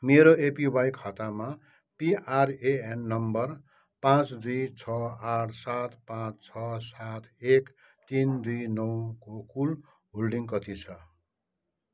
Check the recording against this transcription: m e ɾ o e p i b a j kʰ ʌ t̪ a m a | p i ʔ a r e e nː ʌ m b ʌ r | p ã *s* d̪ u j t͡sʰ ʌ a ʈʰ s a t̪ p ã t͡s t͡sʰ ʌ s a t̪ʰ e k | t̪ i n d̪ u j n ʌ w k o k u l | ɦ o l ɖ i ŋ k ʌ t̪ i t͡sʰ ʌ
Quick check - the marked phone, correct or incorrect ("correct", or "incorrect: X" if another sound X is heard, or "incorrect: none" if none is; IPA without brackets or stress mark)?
incorrect: t͡s